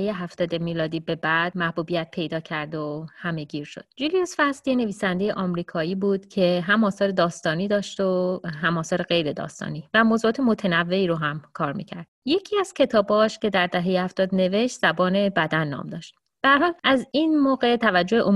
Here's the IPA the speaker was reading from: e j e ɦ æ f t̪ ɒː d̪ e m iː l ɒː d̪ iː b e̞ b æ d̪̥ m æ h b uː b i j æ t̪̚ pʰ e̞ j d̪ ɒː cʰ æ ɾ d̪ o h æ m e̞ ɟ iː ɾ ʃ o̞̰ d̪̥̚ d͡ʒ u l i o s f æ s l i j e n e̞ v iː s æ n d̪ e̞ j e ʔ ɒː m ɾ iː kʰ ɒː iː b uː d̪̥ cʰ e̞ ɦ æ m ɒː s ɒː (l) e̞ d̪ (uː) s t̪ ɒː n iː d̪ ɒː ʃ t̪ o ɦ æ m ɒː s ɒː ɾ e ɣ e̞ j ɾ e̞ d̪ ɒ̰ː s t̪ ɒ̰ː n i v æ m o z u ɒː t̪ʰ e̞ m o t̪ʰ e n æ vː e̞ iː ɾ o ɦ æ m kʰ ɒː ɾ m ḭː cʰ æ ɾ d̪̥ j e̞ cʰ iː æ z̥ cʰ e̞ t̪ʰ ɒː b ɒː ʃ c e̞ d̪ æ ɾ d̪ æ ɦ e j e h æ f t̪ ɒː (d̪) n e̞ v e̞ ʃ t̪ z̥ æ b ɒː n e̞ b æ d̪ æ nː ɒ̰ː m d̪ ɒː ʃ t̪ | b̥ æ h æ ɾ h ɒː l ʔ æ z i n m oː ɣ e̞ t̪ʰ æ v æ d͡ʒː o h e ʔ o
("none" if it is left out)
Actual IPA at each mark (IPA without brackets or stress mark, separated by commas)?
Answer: ɾ, ɒː, d̪